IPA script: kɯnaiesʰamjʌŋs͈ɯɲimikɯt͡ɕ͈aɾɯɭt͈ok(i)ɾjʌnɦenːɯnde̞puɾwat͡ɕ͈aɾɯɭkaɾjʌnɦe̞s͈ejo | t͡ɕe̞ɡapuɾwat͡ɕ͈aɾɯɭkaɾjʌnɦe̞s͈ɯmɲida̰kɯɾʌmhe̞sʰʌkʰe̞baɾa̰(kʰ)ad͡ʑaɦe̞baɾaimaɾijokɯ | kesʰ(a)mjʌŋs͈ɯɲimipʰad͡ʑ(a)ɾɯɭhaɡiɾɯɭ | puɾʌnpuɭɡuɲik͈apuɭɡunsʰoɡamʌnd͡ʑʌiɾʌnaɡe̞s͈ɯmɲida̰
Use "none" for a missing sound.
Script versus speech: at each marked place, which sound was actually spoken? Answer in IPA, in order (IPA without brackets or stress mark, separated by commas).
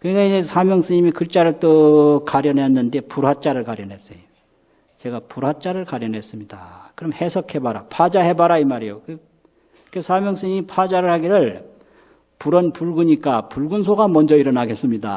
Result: a, pʰ, a, a